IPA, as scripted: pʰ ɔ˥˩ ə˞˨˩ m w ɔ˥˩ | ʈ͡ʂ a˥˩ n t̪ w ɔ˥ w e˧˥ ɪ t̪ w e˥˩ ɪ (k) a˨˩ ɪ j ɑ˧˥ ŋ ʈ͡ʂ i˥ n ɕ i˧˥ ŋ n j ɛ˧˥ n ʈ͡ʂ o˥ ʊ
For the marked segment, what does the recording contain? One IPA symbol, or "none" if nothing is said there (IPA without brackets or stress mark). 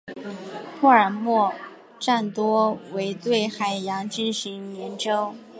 x